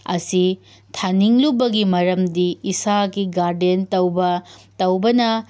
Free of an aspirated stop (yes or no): no